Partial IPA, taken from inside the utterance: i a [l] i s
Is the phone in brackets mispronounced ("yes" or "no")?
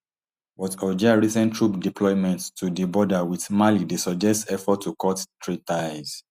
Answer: yes